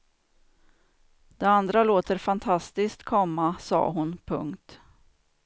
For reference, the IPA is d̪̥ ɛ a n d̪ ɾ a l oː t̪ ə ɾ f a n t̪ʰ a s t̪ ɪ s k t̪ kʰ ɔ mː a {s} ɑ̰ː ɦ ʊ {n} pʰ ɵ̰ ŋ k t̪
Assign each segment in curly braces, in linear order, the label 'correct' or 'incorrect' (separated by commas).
correct, correct